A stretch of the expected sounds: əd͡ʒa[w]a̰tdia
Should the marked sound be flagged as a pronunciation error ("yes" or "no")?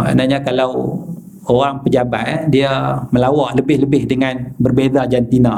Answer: yes